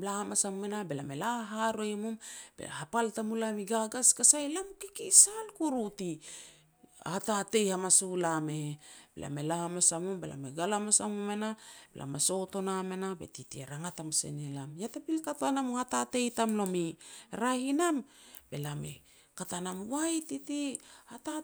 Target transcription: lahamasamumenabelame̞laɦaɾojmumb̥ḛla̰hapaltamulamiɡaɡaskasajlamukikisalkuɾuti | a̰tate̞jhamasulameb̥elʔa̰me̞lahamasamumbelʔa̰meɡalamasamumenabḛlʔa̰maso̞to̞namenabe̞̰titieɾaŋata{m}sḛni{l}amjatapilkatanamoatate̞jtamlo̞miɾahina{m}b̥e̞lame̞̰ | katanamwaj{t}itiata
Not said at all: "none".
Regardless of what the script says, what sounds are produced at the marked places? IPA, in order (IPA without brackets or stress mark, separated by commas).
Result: m, l, m, t